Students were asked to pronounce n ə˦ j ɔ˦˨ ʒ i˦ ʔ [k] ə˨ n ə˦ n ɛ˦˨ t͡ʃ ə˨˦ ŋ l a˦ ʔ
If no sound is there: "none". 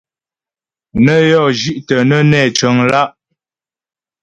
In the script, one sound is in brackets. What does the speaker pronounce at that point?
t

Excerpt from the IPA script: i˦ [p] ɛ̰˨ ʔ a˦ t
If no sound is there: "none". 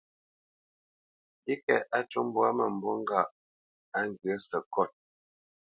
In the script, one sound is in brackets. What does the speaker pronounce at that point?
k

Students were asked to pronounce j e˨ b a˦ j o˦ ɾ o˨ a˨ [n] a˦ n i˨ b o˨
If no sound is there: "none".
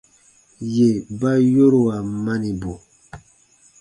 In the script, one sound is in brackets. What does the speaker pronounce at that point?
m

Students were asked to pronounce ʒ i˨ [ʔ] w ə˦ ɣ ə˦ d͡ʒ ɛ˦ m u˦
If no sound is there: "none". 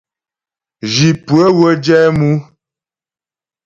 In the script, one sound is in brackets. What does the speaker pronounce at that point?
p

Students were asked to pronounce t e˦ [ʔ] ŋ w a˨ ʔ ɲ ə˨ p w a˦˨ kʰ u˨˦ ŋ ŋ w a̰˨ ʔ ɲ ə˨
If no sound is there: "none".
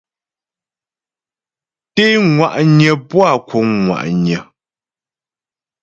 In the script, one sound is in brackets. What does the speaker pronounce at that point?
none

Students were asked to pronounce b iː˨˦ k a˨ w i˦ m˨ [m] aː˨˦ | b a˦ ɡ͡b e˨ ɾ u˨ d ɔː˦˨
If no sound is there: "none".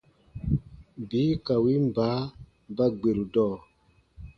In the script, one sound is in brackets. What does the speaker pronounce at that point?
b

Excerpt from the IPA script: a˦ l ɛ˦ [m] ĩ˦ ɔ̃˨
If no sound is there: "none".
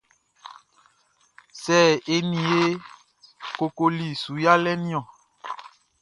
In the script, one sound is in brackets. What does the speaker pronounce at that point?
n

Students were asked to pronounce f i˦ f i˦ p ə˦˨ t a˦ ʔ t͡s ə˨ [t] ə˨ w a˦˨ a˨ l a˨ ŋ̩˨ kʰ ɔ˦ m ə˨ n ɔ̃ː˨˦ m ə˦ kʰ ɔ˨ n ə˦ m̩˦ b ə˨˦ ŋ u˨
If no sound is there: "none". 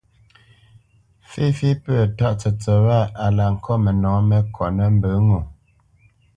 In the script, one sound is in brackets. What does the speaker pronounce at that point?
t͡s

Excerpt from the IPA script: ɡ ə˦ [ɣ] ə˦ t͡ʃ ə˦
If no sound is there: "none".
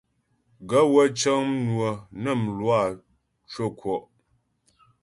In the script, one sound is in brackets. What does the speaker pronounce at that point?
w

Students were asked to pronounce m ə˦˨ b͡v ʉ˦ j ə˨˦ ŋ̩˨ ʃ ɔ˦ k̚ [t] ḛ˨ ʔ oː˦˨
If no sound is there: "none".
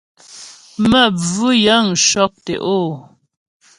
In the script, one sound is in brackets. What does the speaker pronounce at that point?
t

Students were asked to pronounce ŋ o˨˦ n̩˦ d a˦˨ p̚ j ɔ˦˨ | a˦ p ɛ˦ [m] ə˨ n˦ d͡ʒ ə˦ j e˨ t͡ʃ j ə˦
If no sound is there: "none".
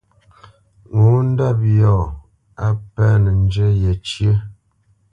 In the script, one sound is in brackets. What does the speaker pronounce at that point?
n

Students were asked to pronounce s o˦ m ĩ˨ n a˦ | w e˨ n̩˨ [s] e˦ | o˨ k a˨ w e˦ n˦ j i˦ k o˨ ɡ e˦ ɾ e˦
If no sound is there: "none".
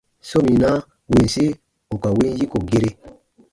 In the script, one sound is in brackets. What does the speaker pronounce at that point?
s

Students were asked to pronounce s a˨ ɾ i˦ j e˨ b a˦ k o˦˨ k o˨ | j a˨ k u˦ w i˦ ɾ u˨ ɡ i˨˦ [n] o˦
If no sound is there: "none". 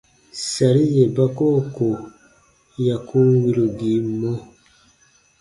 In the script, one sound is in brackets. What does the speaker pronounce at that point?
m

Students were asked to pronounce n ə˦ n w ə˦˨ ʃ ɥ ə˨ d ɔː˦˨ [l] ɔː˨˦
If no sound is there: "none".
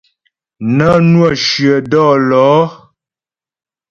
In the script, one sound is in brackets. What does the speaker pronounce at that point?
l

